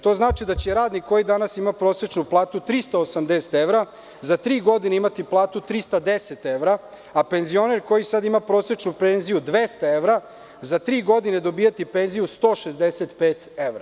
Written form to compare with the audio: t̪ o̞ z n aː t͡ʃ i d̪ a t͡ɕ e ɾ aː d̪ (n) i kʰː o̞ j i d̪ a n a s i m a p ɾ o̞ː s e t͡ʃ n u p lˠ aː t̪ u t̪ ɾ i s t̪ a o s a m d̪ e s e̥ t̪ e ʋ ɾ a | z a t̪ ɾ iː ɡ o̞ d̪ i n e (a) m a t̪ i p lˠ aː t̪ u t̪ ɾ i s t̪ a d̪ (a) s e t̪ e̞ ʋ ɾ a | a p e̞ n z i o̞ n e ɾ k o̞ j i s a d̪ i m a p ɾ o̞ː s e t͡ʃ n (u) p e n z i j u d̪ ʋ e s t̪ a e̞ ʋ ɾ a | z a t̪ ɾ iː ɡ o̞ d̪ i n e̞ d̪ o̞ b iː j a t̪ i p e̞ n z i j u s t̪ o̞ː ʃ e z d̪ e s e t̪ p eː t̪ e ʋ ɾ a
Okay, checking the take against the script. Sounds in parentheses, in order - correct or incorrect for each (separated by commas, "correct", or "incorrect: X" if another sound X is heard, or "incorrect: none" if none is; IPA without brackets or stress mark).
correct, incorrect: i, incorrect: e, correct